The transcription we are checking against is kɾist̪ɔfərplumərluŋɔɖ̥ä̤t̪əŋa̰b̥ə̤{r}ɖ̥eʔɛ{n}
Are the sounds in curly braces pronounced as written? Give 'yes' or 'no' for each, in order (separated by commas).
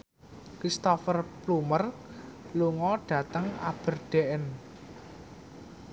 yes, yes